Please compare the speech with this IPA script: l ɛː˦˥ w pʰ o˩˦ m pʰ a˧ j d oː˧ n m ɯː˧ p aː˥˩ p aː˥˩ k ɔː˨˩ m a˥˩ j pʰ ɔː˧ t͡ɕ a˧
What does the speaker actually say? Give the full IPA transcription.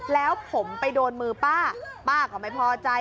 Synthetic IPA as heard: l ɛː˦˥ w pʰ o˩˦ m p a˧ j d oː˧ n m ɯː˧ p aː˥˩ p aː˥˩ k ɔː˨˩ m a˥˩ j pʰ ɔː˧ t͡ɕ a˧

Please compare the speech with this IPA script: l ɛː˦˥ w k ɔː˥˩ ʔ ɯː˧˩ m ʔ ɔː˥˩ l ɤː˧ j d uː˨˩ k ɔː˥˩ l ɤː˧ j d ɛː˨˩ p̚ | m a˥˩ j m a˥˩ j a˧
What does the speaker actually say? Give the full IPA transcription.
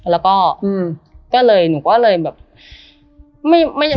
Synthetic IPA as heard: l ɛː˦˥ w k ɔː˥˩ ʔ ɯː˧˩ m k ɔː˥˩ l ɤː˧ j n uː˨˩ k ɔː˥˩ l ɤː˧ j b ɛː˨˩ p̚ | m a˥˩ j m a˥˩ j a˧

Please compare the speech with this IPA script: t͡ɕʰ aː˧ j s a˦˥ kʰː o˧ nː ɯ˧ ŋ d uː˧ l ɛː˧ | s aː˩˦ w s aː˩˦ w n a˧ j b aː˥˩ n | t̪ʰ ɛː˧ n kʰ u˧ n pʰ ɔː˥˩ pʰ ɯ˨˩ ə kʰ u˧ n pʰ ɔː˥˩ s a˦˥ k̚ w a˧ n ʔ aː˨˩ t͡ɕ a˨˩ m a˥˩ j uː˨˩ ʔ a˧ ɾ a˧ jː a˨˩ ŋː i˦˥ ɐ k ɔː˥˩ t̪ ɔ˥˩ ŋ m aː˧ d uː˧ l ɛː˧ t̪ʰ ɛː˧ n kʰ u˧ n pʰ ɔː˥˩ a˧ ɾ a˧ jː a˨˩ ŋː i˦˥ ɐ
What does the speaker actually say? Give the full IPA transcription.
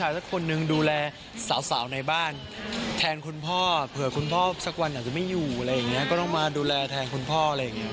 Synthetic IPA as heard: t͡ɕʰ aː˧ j s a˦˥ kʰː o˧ nː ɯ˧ ŋ d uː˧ l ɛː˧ | s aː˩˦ w s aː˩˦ w n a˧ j b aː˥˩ n | t̪ʰ ɛː˧ n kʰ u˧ n pʰ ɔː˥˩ pʰ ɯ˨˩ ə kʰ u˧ n pʰ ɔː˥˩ s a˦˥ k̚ w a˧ n ʔ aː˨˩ t͡ɕ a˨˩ m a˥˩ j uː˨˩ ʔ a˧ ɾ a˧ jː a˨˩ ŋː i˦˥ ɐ k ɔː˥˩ t̪ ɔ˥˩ ŋ m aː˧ d uː˧ l ɛː˧ t̪ʰ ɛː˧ n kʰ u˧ n pʰ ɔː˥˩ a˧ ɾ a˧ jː a˨˩ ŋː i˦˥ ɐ

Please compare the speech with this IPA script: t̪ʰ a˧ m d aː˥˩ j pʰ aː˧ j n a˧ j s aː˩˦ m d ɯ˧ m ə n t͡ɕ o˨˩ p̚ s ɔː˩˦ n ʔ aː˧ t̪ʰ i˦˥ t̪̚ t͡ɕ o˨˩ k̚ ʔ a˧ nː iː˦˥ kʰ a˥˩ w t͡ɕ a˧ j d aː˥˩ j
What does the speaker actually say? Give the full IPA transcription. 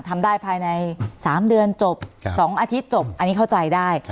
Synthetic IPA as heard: t̪ʰ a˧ m d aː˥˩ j pʰ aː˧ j n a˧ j s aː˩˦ m d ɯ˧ ə n t͡ɕ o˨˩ p̚ s ɔː˩˦ ŋ ʔ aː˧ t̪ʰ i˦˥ t̪̚ t͡ɕ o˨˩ p̚ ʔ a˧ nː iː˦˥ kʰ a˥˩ w t͡ɕ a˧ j d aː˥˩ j

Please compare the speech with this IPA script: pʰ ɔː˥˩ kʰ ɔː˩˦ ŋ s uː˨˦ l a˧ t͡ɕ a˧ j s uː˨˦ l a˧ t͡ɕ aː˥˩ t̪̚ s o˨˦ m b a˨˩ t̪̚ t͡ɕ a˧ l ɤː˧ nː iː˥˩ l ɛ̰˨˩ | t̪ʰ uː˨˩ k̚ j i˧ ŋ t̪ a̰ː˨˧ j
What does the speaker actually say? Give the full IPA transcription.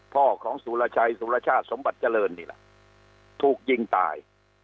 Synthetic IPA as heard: pʰ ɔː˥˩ kʰ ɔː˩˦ ŋ s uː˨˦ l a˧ t͡ɕʰ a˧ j s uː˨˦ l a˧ t͡ɕʰ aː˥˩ t̪̚ s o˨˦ m b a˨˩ t̪̚ t͡ɕ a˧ l ɤː˧ nː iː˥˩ l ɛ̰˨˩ | t̪ʰ uː˨˩ k̚ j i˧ ŋ t̪ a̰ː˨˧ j

